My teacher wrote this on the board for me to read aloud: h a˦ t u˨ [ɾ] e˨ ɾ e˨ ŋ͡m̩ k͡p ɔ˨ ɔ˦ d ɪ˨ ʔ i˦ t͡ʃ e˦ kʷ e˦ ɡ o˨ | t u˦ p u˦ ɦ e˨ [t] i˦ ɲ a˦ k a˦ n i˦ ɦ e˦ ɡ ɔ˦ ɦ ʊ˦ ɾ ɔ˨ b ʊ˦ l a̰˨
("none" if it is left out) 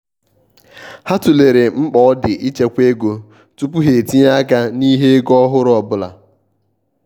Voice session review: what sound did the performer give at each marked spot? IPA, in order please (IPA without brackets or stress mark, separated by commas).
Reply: l, t